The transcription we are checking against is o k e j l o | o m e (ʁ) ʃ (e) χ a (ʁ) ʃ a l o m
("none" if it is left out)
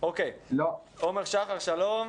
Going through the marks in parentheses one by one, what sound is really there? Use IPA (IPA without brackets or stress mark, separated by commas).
ʁ, a, ʁ